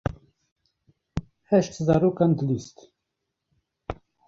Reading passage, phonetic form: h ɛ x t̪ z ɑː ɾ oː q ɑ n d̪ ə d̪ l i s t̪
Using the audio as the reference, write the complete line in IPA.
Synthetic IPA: h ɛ ʃ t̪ z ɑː ɾ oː k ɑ n d̪ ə l i s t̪